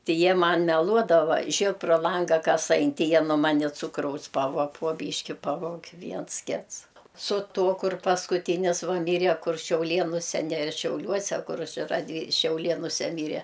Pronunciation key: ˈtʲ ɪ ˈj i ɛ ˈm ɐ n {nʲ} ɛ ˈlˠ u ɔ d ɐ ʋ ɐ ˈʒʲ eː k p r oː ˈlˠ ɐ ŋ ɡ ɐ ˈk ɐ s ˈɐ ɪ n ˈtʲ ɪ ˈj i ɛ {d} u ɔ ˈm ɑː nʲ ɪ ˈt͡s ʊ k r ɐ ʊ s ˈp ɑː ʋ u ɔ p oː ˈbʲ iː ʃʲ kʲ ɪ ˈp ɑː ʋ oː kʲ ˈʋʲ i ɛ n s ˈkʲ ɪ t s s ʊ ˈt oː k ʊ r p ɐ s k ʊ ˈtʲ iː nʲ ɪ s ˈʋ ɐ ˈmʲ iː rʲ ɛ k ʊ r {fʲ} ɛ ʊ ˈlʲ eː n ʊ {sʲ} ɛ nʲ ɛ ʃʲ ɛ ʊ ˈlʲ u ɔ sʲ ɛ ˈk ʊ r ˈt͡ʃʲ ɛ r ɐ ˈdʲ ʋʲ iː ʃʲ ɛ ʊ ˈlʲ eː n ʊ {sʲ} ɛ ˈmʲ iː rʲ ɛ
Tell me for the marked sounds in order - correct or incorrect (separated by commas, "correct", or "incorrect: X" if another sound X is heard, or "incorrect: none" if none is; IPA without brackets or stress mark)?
incorrect: mʲ, incorrect: n, incorrect: ʃʲ, correct, correct